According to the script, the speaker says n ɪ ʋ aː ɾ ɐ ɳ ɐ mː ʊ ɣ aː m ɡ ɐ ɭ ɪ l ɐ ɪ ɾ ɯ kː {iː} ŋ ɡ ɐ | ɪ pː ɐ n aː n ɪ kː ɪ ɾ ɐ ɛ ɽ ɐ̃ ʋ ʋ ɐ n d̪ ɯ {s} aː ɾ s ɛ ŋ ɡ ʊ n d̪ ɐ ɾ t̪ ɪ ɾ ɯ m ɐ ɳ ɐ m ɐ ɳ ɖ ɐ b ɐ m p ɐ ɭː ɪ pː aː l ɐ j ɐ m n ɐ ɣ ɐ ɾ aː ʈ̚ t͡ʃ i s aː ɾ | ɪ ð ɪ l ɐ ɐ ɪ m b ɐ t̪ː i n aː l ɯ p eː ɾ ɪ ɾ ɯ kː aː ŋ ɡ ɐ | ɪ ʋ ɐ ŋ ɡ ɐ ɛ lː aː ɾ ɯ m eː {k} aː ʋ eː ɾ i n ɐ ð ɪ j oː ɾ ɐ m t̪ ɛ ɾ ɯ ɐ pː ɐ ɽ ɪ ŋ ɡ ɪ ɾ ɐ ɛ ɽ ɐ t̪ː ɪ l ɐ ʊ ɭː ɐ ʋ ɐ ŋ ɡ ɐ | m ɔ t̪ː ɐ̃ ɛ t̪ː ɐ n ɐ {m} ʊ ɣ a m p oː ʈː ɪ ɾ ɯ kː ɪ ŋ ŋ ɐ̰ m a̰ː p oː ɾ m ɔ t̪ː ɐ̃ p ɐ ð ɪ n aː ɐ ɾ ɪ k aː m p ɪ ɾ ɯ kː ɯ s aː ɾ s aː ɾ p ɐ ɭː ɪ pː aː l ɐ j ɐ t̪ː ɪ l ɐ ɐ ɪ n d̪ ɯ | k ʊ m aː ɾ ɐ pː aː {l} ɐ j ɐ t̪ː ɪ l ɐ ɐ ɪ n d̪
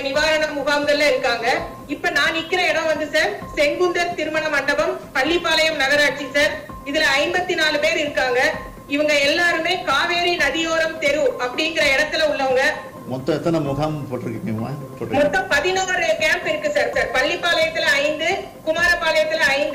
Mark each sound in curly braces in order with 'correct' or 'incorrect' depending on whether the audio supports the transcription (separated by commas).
incorrect, correct, correct, correct, correct